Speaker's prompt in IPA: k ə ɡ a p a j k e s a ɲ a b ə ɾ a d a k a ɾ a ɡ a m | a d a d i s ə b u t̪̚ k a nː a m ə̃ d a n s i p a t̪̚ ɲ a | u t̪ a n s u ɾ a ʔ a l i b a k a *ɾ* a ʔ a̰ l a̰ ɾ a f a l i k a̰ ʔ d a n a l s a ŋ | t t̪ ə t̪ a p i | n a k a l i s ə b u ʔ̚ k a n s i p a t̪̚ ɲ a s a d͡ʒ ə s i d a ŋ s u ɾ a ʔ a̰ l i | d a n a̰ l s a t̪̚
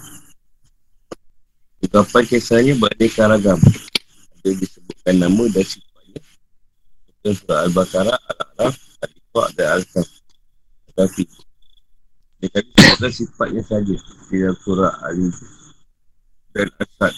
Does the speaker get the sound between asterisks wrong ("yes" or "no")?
no